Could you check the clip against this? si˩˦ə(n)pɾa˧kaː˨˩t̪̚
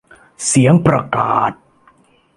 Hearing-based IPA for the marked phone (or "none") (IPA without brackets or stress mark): ŋ